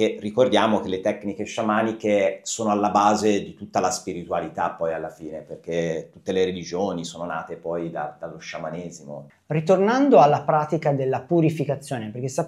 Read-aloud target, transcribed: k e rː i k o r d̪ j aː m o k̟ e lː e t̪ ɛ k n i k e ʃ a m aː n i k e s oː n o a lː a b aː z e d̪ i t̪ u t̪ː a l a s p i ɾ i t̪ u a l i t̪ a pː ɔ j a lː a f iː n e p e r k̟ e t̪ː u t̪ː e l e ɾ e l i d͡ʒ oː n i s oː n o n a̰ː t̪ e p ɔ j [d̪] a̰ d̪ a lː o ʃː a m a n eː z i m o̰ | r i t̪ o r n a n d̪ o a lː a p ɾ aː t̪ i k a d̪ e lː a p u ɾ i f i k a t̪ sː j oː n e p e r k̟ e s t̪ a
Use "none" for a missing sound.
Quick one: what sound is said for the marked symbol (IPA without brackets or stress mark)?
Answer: d̪